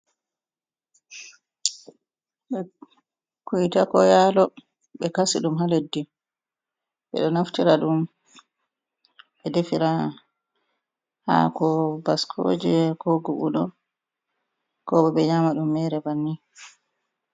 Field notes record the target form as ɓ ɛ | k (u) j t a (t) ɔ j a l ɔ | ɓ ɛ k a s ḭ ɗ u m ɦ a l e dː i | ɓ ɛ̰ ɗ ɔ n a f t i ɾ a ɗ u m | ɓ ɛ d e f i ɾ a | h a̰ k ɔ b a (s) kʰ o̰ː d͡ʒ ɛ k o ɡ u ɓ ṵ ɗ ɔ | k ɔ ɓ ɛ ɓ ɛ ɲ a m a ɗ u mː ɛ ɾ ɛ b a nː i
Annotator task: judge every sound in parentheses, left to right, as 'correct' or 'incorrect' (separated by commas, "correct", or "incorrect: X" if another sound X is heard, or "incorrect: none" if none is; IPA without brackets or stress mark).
correct, incorrect: k, correct